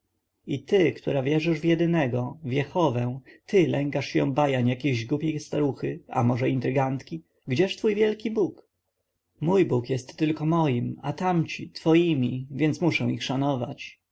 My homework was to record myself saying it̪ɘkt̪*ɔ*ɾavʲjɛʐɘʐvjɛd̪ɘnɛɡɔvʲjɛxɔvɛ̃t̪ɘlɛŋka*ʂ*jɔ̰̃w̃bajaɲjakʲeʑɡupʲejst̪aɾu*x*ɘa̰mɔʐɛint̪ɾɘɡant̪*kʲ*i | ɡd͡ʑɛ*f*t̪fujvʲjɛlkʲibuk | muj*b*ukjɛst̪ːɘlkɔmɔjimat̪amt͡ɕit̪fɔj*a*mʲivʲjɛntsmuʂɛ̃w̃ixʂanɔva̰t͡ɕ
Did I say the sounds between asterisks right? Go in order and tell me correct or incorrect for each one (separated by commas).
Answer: incorrect, correct, correct, correct, incorrect, correct, incorrect